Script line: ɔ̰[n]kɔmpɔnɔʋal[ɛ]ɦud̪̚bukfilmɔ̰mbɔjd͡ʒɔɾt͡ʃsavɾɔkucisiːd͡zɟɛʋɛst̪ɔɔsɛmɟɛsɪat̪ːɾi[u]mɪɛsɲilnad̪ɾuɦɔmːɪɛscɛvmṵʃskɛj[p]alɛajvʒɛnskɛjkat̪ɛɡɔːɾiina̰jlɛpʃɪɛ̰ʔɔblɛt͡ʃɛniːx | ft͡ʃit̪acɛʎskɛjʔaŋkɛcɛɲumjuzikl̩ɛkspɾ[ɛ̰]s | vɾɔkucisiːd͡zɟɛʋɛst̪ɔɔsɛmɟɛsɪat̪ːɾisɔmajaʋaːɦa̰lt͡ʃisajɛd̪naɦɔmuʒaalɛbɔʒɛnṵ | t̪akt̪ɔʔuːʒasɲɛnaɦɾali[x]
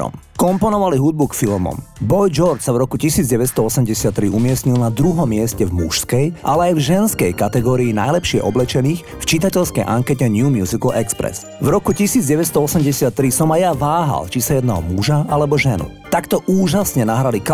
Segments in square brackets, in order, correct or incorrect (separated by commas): incorrect, incorrect, correct, incorrect, correct, incorrect